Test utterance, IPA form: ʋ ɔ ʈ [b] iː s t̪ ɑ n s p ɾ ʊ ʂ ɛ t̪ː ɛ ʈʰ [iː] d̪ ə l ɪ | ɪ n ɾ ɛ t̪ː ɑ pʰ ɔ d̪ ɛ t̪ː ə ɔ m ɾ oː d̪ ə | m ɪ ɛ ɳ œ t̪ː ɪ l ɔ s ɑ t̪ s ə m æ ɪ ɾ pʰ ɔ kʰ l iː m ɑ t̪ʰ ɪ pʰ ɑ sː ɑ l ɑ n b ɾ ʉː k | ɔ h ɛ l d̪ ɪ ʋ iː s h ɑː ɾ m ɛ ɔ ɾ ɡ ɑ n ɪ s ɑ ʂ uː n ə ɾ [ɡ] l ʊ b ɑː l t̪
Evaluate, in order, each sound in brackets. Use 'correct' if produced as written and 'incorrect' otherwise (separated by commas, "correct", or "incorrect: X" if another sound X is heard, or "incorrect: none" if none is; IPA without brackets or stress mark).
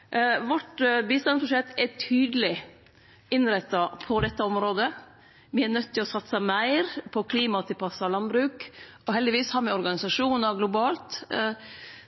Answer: correct, incorrect: yː, correct